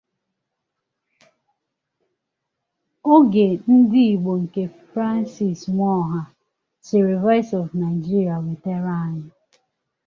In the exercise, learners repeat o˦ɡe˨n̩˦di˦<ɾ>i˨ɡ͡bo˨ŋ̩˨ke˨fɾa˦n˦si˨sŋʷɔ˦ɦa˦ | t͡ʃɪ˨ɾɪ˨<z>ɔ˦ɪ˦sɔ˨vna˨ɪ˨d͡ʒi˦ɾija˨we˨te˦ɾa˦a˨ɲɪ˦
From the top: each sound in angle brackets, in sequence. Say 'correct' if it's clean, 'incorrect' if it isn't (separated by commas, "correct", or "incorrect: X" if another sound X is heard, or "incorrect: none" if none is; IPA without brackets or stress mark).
incorrect: none, incorrect: v